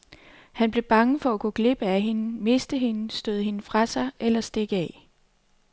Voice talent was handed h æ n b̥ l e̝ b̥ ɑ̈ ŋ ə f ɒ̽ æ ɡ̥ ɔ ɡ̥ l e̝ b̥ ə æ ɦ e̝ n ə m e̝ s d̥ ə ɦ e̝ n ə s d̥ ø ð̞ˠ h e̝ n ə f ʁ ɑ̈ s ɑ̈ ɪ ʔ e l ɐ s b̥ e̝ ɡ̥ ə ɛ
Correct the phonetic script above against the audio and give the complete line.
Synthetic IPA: h æ n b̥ l e̝ b̥ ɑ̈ ŋ ə f ɒ̽ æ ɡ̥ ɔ ɡ̥ l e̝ b̥ ə æ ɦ e̝ n ə m e̝ s d̥ ə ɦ e̝ n ə s d̥ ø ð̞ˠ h e̝ n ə f ʁ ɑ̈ s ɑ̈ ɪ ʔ e l ɐ s d̥ e̝ ɡ̥ ə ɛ